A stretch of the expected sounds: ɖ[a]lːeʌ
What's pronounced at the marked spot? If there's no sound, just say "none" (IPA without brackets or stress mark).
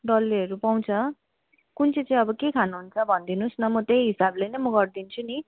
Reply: ʌ